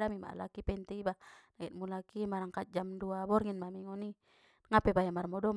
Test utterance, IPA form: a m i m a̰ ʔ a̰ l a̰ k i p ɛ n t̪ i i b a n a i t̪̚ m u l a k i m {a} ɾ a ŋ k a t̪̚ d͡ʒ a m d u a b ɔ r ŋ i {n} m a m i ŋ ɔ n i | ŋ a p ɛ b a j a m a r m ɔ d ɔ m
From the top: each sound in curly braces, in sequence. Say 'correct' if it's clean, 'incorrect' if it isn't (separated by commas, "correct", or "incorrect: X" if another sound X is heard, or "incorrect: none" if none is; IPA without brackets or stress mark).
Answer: correct, correct